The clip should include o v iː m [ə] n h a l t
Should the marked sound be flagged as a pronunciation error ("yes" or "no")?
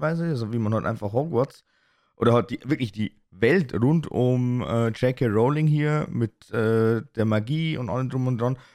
yes